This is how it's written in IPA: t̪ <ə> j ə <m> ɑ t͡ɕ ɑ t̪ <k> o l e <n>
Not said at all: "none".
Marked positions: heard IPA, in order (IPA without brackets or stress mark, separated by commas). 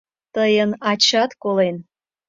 ə, n, k, n